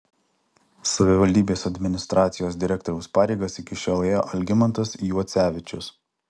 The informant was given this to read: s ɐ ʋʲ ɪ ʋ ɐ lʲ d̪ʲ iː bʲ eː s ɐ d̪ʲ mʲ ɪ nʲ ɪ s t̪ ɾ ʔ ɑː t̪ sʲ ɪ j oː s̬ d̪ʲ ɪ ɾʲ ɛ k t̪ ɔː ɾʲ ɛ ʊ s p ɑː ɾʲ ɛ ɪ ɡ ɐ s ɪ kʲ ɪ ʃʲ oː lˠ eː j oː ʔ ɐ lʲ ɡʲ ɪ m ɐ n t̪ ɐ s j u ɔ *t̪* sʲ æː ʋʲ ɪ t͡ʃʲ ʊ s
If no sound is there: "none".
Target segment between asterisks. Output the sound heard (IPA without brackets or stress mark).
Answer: t̪